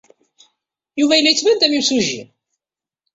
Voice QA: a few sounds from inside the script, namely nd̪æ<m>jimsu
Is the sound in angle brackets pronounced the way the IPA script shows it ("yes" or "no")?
yes